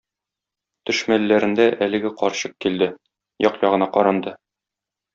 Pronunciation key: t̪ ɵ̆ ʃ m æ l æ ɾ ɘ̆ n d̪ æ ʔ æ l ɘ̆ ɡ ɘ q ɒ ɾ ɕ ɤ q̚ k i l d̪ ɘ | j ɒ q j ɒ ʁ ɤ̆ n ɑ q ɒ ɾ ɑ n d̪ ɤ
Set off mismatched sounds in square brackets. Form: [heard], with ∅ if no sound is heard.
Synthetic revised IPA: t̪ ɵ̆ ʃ m æ [lː] æ ɾ ɘ̆ n d̪ æ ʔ æ l ɘ̆ ɡ ɘ q ɒ ɾ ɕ ɤ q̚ k i l d̪ ɘ | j ɒ q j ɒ ʁ ɤ̆ n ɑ q ɒ ɾ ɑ n d̪ ɤ